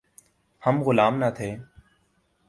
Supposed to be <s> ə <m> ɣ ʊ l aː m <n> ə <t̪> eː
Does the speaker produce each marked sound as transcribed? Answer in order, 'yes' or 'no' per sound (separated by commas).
no, yes, yes, no